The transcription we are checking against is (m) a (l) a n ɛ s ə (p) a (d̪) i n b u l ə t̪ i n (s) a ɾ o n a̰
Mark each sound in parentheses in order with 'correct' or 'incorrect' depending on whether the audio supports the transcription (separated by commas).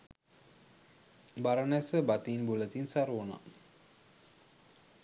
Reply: incorrect, incorrect, incorrect, incorrect, correct